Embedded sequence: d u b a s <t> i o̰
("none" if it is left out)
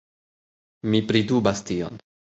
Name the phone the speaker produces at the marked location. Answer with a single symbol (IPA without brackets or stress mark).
t